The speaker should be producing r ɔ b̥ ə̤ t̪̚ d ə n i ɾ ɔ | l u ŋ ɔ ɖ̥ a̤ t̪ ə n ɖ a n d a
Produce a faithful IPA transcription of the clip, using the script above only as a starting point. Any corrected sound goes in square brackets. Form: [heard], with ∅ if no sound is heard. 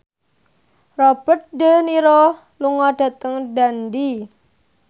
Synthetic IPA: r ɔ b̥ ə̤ t̪̚ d ə n i ɾ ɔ | l u ŋ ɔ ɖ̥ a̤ t̪ ə [ŋ] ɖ a n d [i]